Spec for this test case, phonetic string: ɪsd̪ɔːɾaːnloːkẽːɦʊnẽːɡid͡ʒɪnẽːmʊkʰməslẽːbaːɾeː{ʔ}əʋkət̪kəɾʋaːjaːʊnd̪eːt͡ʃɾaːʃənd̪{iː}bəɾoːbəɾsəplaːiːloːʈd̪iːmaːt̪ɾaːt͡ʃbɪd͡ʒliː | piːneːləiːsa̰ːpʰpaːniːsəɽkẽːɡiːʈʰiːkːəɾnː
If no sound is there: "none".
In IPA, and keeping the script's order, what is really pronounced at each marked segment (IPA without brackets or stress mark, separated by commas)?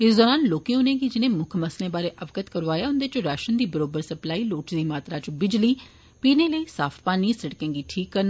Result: ʔ, iː